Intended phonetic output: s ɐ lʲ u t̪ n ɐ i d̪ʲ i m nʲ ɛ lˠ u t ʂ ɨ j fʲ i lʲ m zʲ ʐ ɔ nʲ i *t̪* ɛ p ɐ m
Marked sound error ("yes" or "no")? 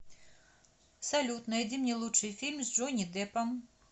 yes